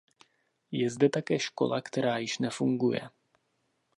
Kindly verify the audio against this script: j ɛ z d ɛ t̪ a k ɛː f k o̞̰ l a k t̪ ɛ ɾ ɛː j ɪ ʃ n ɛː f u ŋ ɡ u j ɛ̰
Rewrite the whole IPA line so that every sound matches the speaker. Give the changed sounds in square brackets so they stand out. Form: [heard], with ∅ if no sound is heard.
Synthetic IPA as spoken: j ɛ z d ɛ t̪ a k ɛː [ʃ] k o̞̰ l a k t̪ ɛ ɾ [aː] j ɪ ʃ n [ɛ] f u ŋ ɡ u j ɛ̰